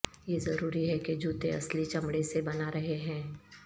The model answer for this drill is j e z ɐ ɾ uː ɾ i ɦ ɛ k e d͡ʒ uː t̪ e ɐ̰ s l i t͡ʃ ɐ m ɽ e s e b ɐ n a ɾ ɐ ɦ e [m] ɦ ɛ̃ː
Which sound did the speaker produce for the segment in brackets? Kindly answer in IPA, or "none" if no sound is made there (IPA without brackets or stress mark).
none